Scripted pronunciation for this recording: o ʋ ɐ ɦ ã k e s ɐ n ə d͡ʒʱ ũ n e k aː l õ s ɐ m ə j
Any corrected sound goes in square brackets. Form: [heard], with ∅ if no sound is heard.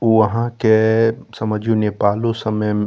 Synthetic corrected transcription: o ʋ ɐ ɦ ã k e s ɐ [m] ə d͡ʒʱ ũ n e [p] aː l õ s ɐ m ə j